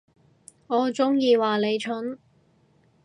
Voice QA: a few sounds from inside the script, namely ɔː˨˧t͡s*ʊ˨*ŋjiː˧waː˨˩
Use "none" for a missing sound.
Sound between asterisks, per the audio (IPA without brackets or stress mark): ʊ˥